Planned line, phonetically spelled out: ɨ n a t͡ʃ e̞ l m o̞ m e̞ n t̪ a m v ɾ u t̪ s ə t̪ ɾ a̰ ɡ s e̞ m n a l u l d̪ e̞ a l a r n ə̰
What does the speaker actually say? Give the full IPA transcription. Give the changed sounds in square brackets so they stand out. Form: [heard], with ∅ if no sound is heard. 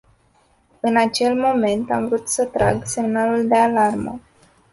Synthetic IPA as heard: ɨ n a t͡ʃ e̞ l m o̞ m e̞ n t̪ a m v ɾ u t̪ s ə t̪ ɾ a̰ ɡ s e̞ m n a l u l d̪ e̞ a l a r [m] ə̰